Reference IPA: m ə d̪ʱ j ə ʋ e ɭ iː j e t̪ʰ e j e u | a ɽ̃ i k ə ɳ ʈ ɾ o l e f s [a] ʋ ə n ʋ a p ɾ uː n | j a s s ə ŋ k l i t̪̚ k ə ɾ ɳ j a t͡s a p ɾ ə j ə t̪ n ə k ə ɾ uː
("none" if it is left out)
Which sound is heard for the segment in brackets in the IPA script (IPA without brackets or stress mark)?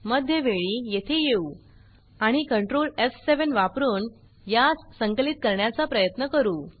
e